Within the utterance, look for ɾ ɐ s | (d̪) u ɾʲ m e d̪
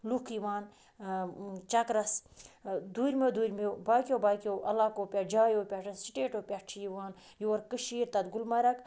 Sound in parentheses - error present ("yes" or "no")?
no